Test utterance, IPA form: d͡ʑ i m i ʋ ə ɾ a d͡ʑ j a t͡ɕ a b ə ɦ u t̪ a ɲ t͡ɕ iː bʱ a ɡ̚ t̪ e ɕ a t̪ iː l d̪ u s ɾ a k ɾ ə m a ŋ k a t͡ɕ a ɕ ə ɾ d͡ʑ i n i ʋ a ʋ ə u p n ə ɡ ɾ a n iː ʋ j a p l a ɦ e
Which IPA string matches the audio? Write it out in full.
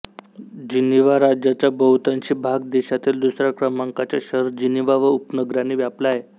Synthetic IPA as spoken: d͡ʑ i n i ʋ a ɾ a d͡ʑ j a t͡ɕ a b ə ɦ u t̪ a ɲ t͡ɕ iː bʱ a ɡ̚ d̪ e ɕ a t̪ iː l d̪ u s ɾ a k ɾ ə m a ŋ k a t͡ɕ a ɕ ə ɾ d͡ʑ i n i ʋ a ʋ ə u p n ə ɡ ɾ a n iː ʋ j a p l a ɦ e